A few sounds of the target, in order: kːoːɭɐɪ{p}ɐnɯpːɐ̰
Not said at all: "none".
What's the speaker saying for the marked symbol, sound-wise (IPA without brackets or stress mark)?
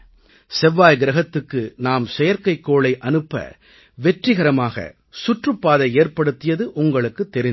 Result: ʔ